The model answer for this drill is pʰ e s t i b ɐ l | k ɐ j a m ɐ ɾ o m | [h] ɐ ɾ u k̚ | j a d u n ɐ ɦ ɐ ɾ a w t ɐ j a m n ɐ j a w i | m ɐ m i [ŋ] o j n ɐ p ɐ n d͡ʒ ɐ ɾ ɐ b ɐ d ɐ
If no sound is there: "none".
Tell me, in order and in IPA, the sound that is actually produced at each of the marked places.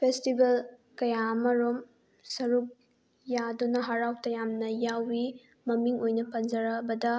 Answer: s, ŋ

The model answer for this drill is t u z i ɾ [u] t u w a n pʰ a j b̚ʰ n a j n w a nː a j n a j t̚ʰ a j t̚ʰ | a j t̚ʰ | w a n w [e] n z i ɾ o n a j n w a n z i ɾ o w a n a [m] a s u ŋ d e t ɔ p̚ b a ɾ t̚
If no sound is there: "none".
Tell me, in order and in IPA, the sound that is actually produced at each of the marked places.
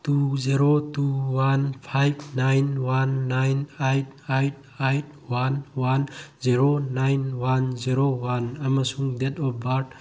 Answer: o, a, m

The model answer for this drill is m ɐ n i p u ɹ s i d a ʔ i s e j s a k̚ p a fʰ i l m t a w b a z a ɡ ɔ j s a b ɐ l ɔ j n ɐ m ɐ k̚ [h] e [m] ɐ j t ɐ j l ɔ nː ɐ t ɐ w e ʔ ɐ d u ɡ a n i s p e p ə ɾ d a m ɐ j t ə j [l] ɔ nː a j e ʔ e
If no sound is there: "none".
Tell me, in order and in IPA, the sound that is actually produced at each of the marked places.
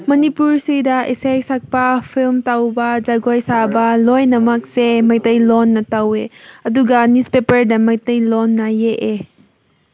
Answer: s, m, l

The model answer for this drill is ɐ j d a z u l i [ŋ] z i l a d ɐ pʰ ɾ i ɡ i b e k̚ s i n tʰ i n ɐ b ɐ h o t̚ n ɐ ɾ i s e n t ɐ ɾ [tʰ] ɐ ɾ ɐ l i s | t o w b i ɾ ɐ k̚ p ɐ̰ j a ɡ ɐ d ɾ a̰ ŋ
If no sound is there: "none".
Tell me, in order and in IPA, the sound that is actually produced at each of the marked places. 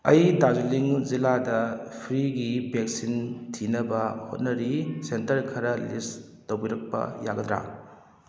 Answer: ŋ, kʰ

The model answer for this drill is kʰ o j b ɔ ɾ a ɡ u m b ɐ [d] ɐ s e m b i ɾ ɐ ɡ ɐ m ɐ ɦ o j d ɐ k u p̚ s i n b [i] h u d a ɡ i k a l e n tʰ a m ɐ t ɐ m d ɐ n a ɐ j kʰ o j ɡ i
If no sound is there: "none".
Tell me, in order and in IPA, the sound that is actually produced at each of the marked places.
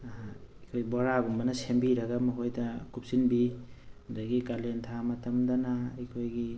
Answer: n, i

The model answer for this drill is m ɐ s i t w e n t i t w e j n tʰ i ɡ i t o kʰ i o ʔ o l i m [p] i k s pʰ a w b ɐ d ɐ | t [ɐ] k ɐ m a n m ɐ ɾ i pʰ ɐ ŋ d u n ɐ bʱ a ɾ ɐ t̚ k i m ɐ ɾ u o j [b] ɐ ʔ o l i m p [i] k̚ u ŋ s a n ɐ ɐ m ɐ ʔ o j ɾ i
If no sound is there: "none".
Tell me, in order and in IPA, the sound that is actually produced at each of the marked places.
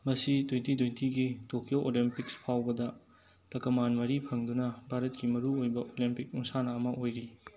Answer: p, ɐ, b, i

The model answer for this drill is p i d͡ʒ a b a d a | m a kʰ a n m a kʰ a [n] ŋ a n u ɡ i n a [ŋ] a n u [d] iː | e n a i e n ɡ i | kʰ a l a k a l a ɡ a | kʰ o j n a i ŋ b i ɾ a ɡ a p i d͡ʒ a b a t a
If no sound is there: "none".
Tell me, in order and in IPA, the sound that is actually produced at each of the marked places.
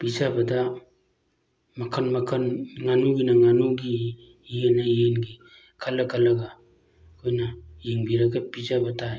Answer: n, ŋ, ɡ

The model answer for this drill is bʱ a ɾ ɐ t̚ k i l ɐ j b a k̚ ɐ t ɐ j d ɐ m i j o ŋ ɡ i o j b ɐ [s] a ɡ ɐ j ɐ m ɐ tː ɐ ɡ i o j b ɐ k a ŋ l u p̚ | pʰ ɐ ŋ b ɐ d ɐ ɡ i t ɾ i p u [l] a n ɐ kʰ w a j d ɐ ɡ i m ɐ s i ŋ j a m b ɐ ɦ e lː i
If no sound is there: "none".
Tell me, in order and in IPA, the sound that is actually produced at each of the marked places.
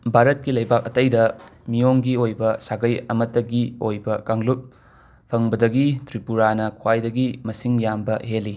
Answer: s, ɾ

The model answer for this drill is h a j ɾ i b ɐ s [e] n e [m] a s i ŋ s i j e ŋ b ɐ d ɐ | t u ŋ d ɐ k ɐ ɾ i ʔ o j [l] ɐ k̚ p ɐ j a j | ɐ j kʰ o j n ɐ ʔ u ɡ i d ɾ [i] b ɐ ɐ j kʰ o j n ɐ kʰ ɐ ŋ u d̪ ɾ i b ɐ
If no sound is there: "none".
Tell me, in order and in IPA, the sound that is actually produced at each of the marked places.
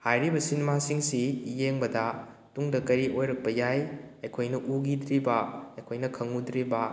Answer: i, m, ɾ, i

